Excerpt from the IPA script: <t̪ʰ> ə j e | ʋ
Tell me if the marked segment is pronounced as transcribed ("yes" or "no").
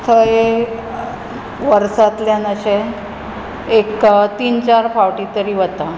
yes